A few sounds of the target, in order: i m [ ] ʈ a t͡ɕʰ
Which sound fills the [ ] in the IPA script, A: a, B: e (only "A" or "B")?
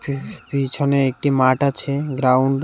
A